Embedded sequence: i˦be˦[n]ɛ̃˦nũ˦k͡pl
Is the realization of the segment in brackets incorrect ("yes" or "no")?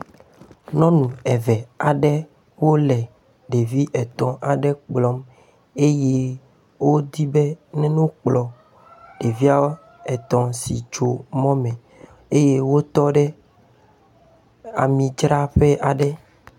no